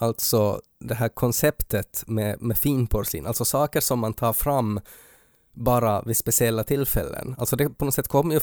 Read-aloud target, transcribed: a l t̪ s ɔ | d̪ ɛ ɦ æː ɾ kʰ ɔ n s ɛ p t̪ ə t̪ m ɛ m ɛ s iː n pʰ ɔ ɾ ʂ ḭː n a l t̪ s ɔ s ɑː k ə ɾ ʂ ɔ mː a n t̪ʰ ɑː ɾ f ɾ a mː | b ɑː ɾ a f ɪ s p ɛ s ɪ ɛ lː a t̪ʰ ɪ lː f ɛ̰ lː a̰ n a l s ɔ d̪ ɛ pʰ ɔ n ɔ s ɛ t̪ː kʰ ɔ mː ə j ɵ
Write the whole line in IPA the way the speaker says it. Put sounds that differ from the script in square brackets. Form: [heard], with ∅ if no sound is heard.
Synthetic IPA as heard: a l t̪ s ɔ | d̪ ɛ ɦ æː ɾ kʰ ɔ n s ɛ p t̪ ə t̪ m ɛ m ɛ [f] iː n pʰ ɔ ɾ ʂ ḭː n a l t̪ s ɔ s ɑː k ə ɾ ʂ ɔ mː a n t̪ʰ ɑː ɾ f ɾ a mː | b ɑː ɾ a [v] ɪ s p ɛ s ɪ ɛ lː a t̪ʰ ɪ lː f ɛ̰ lː [ə̰] n a l s ɔ d̪ ɛ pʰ ɔ n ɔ s ɛ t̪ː kʰ ɔ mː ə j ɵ